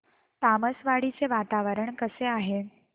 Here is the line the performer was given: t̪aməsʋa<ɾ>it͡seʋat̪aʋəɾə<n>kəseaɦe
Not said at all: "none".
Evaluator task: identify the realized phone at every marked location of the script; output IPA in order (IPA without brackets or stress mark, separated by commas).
ɽ, ɳ